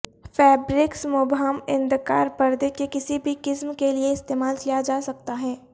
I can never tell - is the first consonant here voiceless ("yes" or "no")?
yes